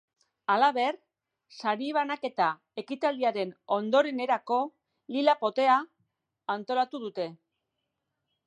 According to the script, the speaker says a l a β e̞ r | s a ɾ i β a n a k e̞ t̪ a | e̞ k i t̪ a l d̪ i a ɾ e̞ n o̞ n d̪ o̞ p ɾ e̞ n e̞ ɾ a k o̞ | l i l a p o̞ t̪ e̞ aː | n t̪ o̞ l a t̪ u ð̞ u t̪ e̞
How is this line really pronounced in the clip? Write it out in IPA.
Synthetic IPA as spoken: a l a β e̞ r | s a ɾ i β a n a k e̞ t̪ a | e̞ k i t̪ a l d̪ i a ɾ e̞ n o̞ n d̪ o̞ ɾ e̞ n e̞ ɾ a k o̞ | l i l a p o̞ t̪ e̞ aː | n t̪ o̞ l a t̪ u ð̞ u t̪ e̞